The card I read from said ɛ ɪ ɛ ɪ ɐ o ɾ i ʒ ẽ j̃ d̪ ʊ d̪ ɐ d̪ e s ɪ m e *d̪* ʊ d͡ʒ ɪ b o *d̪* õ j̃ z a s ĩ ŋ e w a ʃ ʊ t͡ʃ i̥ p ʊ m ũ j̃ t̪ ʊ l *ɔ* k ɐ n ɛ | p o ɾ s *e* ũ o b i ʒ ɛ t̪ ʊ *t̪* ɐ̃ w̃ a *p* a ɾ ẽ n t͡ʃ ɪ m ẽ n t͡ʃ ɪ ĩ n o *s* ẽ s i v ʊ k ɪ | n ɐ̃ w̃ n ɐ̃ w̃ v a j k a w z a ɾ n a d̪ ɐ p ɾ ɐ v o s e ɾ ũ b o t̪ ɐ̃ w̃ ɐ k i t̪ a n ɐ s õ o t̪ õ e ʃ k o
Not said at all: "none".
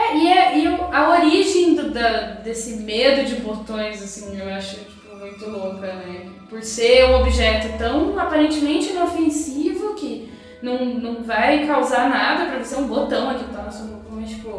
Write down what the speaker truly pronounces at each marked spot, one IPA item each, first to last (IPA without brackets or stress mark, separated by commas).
d̪, t̪, o, e, t̪, p, f